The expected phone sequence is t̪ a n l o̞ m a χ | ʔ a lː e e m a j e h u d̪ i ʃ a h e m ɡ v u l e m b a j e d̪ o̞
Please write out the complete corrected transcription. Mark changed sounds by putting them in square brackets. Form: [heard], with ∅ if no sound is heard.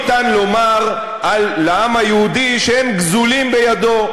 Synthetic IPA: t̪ a n l o̞ m a [ʁ] | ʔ a lː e [a] m a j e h u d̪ i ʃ [e] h e m ɡ [z] u l [i] m b [e] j [a] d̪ o̞